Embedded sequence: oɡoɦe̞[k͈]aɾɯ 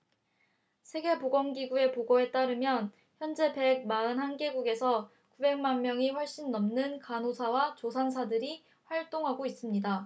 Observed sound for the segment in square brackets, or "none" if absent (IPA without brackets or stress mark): t͈